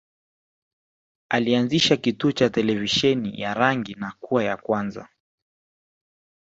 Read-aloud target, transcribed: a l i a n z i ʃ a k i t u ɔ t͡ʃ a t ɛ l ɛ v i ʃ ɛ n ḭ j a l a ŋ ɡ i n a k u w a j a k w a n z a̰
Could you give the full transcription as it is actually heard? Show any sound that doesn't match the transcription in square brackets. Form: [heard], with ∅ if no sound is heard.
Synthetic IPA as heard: a l i a n z i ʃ a k i t u ɔ t͡ʃ a t ɛ l ɛ v i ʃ ɛ n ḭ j a [ɾ] a ŋ ɡ i n a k u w a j a k w a n z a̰